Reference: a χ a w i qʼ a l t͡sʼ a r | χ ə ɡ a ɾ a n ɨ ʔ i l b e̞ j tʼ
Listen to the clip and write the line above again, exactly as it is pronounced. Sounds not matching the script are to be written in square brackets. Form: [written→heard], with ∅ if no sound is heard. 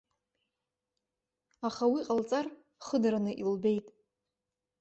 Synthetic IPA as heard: a χ a w i qʼ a l t͡sʼ a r | χ ə [ɡ→d] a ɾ a n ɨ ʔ i l b e̞ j tʼ